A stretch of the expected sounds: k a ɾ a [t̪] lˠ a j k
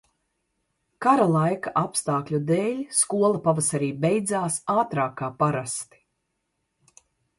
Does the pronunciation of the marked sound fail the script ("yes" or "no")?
yes